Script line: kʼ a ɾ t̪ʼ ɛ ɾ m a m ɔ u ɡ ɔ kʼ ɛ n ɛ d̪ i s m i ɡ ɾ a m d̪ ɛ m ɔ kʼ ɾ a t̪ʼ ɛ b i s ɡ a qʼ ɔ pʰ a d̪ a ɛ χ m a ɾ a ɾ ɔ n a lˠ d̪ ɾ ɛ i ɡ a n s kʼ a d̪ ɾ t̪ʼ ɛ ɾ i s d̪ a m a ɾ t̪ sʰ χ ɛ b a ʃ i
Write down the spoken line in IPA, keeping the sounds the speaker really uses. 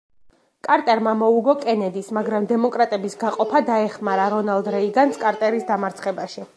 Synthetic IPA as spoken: kʼ a ɾ t̪ʼ ɛ ɾ m a m ɔ u ɡ ɔ kʼ ɛ n ɛ d̪ i s m a ɡ ɾ a m d̪ ɛ m ɔ kʼ ɾ a t̪ʼ ɛ b i s ɡ a qʼ ɔ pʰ a d̪ a ɛ χ m a ɾ a ɾ ɔ n a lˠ d̪ ɾ ɛ i ɡ a n s kʼ a ɾ t̪ʼ ɛ ɾ i s d̪ a m a ɾ t̪ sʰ χ ɛ b a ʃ i